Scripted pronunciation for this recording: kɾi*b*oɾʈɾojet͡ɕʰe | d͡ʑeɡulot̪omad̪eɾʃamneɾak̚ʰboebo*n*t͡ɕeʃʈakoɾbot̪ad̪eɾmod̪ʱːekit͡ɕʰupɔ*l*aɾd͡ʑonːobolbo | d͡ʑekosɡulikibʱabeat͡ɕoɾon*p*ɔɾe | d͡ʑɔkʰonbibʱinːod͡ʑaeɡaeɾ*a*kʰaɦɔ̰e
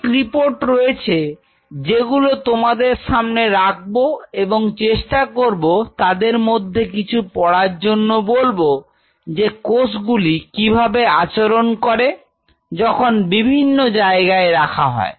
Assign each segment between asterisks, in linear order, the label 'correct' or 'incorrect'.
incorrect, incorrect, incorrect, incorrect, correct

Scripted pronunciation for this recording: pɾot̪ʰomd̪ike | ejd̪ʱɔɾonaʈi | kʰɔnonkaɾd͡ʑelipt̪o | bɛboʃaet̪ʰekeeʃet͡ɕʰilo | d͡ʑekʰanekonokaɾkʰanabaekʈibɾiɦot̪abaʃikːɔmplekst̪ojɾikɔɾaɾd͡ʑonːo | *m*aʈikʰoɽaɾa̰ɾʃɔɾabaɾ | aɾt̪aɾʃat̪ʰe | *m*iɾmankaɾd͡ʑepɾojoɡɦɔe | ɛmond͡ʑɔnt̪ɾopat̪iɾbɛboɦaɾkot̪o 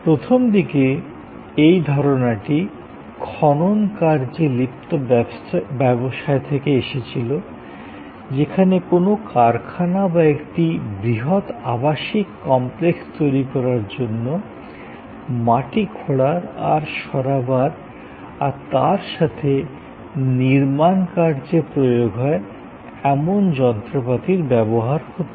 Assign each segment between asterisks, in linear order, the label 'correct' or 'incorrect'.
correct, incorrect

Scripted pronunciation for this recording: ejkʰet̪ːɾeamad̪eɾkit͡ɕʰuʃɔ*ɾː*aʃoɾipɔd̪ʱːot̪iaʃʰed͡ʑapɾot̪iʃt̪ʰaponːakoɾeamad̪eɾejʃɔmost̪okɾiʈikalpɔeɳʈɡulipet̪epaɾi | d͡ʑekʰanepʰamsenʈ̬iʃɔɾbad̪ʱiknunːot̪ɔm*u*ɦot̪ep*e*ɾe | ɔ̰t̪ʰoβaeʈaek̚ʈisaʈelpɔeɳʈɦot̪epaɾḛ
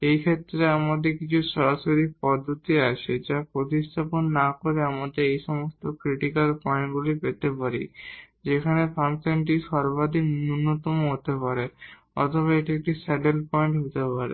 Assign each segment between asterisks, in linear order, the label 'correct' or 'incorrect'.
incorrect, incorrect, incorrect

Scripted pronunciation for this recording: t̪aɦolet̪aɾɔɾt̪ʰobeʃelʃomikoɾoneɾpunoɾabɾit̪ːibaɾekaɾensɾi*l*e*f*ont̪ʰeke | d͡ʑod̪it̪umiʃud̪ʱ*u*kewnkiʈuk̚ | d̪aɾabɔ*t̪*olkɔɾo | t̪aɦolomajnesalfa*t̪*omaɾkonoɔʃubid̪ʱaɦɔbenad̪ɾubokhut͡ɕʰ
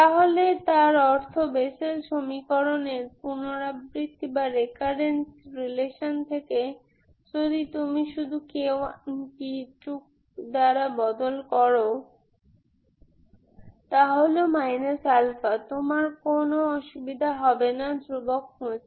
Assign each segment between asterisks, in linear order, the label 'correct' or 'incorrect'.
correct, incorrect, correct, incorrect, correct

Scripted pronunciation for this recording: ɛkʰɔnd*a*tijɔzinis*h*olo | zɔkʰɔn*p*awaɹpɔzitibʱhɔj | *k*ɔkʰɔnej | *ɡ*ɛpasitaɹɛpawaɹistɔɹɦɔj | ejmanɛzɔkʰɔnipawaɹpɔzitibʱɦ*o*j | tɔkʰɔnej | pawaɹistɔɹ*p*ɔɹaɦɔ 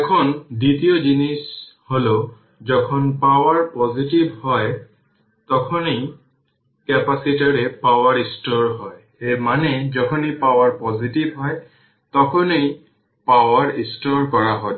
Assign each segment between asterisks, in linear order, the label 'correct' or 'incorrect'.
incorrect, correct, correct, incorrect, incorrect, incorrect, incorrect

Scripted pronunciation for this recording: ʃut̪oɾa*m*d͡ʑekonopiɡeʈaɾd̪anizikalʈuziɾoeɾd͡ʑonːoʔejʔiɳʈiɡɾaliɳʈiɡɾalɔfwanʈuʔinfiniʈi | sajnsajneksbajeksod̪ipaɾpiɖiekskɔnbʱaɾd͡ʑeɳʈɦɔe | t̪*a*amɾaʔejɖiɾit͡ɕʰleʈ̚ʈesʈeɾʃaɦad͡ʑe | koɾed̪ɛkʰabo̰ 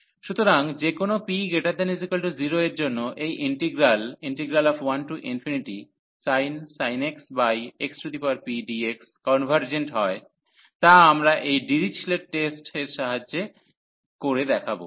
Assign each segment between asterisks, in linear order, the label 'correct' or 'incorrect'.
incorrect, correct

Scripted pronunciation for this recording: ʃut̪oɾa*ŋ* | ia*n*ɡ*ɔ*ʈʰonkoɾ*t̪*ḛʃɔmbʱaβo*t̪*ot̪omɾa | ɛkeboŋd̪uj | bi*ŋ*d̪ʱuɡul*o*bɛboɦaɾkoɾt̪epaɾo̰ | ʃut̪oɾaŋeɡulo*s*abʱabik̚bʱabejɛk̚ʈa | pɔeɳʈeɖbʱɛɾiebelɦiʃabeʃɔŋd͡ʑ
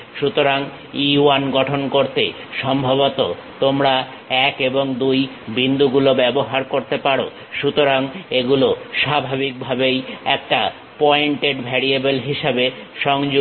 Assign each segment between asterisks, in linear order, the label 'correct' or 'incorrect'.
correct, correct, correct, correct, correct, incorrect, correct, incorrect

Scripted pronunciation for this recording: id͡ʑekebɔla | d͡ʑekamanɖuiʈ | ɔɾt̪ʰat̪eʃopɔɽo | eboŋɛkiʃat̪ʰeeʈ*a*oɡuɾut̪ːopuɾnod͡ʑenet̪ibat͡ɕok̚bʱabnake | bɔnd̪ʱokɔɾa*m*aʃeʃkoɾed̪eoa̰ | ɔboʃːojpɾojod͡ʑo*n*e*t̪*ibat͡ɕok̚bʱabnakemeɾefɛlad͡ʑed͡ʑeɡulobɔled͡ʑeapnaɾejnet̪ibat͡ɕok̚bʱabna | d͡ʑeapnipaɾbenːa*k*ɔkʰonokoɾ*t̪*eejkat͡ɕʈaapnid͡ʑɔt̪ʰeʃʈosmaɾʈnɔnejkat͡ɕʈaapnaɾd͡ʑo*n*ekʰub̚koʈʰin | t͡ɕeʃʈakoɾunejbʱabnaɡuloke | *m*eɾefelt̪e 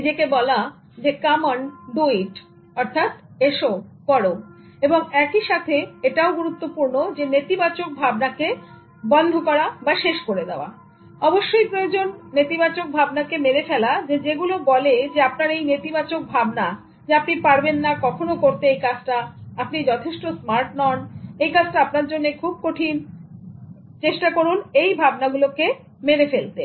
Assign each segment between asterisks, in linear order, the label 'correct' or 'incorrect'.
correct, incorrect, incorrect, correct, correct, correct, incorrect, correct

